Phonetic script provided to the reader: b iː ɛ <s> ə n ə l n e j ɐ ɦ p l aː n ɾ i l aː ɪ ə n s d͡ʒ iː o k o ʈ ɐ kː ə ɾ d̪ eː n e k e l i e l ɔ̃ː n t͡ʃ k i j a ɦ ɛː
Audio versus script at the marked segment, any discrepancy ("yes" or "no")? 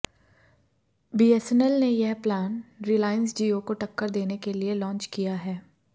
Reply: no